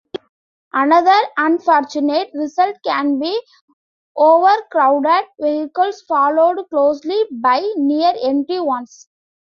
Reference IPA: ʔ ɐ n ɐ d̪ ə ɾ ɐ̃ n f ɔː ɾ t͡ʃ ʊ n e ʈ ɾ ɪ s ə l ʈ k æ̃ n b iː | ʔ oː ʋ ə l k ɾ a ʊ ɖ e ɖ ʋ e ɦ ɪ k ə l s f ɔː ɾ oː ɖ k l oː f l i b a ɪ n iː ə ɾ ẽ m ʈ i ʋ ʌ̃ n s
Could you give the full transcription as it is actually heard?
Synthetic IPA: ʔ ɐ n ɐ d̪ ə ɾ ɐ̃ n f ɔː ɾ t͡ʃ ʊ n e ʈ ɾ ɪ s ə l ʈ k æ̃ n b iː | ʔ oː ʋ ə ɾ k ɾ a ʊ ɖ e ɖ ʋ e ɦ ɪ k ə l s f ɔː l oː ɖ k l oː s l i b a ɪ n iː ə ɾ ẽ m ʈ i ʋ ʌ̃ n s

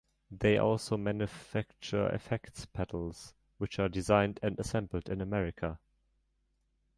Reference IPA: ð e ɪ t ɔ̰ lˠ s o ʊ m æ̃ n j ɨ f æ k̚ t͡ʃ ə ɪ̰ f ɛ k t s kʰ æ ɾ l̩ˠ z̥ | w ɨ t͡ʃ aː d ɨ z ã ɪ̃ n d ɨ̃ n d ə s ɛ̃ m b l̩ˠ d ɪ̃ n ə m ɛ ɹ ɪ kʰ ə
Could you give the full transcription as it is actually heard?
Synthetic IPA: ð e ɪ ʔ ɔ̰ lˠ s o ʊ m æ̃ n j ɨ f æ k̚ t͡ʃ ə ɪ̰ f ɛ k t s pʰ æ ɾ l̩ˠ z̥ | w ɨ t͡ʃ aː d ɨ z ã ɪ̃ n d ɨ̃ n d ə s ɛ̃ m b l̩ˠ d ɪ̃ n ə m ɛ ɹ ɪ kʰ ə

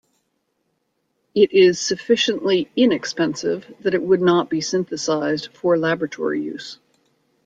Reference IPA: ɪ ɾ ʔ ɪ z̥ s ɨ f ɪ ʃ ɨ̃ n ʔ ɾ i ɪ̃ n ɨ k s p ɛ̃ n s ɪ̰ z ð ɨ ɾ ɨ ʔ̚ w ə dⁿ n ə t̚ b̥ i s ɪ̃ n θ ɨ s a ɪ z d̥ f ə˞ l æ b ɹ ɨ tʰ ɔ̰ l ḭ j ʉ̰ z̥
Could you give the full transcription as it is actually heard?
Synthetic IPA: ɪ ɾ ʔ ɪ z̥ s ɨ f ɪ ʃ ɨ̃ n ʔ l i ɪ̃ n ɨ k s p ɛ̃ n s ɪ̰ v ð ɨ ɾ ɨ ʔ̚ w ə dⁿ n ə t̚ b̥ i s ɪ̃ n θ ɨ s a ɪ z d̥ f ə˞ l æ b ɹ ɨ tʰ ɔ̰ ɹ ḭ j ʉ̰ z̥

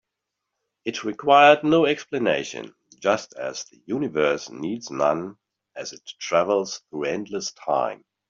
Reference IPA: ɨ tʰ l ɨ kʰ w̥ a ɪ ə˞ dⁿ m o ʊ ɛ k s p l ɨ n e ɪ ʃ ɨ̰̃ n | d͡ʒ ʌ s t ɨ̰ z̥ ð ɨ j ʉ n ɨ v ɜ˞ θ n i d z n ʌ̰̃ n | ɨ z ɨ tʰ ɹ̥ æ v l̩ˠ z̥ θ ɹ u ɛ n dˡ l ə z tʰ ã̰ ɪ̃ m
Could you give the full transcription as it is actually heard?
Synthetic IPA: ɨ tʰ ɹ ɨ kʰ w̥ a ɪ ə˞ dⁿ n o ʊ ɛ k s p l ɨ n e ɪ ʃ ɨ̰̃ n | d͡ʒ ʌ s t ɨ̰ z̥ ð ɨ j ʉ n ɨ v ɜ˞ s n i d z n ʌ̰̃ n | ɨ z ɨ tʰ ɹ̥ æ v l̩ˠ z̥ θ ɹ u ɛ̃ n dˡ l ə s tʰ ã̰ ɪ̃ m

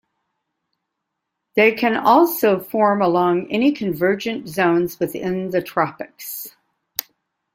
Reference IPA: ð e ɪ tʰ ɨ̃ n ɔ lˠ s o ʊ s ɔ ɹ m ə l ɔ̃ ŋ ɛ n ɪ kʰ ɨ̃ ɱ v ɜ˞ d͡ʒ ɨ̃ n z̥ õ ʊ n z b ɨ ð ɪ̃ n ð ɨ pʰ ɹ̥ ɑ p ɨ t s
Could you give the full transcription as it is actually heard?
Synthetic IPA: ð e ɪ kʰ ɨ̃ n ɔ lˠ s o ʊ f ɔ ɹ m ə l ɔ̃ ŋ ɛ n i kʰ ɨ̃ ɱ v ɜ˞ d͡ʒ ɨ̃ n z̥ õ ʊ̃ n z w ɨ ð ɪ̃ n ð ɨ tʰ ɹ̥ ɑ p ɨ k s

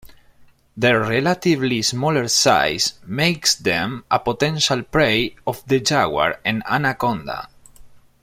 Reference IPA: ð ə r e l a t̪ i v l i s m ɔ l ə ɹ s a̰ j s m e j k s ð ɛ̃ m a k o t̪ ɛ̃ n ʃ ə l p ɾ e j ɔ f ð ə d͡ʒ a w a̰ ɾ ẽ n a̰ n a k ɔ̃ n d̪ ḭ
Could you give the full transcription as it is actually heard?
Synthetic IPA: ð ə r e l a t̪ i v l i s m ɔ l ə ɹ s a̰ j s m e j k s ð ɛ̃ m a p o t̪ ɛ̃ n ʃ a l p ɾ e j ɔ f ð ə d͡ʒ a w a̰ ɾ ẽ n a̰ n a k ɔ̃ n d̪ a̰

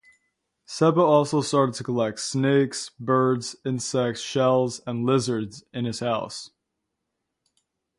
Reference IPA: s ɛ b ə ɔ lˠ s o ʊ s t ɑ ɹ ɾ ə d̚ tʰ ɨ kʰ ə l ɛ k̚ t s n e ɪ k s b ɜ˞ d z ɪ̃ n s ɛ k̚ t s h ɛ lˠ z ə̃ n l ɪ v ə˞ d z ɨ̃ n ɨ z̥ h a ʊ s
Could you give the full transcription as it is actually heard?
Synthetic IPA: s ɛ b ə ɔ lˠ s o ʊ s t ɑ ɹ ɾ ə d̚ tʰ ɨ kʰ ə l ɛ k̚ t s n e ɪ k s b ɜ˞ d z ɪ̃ n s ɛ k̚ t s ʃ ɛ lˠ z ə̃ n l ɪ z ə˞ d z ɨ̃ n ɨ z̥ h a ʊ s

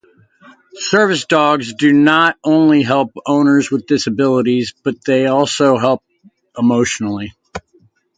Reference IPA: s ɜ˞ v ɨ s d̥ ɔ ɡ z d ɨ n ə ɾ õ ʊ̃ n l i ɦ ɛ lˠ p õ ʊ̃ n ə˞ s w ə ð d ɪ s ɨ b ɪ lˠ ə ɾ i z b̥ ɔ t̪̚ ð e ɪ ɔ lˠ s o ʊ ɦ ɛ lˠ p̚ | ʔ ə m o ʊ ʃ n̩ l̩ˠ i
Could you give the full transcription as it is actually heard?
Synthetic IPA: s ɜ˞ v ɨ s d̥ ɔ ɡ z d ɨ n ə ɾ õ ʊ̃ n l i ɦ ɛ lˠ p õ ʊ̃ n ə˞ z w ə ð d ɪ s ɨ b ɪ lˠ ə ɾ i z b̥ ʌ t̪̚ ð e ɪ ɔ lˠ s o ʊ ɦ ɛ lˠ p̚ | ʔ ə m o ʊ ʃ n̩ l̩ˠ i

